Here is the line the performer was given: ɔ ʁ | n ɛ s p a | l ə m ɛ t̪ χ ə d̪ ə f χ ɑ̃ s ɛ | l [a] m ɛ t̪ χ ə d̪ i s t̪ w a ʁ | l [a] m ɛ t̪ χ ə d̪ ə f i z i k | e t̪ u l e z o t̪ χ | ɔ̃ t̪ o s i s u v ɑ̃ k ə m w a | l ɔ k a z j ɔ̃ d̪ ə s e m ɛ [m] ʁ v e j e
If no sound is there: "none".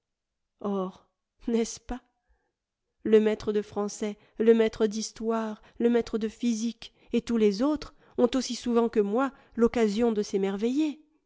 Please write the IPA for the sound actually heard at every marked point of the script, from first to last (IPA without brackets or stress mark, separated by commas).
ə, ə, none